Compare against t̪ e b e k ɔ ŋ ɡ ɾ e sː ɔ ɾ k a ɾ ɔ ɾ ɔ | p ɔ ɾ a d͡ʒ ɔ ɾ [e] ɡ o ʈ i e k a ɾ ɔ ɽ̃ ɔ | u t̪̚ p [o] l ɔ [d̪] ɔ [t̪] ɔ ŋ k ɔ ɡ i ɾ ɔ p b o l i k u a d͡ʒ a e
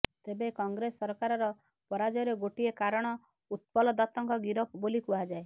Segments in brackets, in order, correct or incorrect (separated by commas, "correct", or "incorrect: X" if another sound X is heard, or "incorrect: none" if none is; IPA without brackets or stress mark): correct, incorrect: ɔ, correct, correct